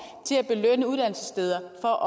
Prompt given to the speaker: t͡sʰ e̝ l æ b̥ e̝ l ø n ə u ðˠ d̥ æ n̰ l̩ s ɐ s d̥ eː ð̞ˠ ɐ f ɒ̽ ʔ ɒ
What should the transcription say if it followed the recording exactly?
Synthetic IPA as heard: t͡sʰ e̝ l æ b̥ e̝ l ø n ə u ðˠ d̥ æ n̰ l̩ s ə s d̥ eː ð̞ˠ ɐ f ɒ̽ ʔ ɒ